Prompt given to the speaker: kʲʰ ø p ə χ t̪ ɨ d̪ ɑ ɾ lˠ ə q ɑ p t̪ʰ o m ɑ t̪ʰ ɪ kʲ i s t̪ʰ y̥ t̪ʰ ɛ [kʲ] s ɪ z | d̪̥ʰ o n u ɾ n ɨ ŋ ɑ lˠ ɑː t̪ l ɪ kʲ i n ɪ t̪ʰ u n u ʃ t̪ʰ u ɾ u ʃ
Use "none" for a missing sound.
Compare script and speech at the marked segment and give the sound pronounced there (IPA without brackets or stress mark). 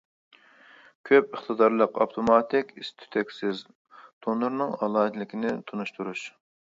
kʲ